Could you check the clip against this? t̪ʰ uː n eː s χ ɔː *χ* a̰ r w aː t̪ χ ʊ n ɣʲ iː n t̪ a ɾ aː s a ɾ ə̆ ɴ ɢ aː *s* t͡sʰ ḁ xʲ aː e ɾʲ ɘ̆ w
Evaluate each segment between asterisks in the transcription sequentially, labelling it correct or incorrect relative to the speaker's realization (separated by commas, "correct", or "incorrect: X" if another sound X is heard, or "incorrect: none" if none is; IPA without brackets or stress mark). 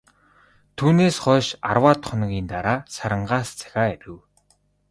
incorrect: ʃ, correct